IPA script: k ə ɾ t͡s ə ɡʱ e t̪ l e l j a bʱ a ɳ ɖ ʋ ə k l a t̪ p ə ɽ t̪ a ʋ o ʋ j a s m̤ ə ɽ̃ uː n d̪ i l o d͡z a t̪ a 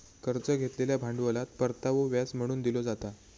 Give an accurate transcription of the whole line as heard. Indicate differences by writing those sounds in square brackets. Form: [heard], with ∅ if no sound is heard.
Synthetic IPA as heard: k ə ɾ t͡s ə ɡʱ e t̪ l e l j a bʱ a ɳ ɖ ʋ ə [∅] l a t̪ p ə [ɾ] t̪ a ʋ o ʋ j a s m̤ ə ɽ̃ uː n d̪ i l o d͡z a t̪ a